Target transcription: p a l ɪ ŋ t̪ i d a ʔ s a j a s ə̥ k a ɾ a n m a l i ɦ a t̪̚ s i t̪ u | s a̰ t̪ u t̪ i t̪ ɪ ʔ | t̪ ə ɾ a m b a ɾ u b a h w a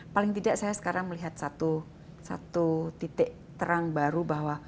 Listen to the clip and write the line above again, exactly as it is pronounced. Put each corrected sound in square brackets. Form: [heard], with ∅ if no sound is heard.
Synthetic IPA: p a l ɪ ŋ t̪ i d a ʔ s a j a s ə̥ k a ɾ a [ŋ] m [ə] l i ɦ a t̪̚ s [a] t̪ u | s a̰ t̪ u t̪ i t̪ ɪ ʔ | t̪ ə ɾ a [ŋ] b a ɾ u b a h w a